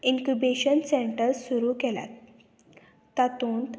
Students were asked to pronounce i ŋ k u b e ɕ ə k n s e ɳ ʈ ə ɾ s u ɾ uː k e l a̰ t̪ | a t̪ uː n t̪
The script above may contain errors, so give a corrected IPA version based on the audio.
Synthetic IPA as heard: i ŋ k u b e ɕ ə n s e ɳ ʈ ə ɾ s u ɾ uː k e l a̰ t̪ | a t̪ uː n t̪